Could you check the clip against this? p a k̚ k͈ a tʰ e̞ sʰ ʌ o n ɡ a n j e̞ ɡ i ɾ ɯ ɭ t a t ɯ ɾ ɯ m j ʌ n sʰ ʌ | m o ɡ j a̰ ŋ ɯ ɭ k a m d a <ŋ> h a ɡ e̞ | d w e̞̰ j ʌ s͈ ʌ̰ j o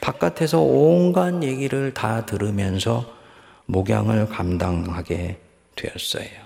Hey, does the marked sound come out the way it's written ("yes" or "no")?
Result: yes